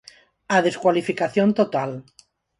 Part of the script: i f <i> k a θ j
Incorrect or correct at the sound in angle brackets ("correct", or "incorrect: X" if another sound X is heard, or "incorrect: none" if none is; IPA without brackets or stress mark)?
correct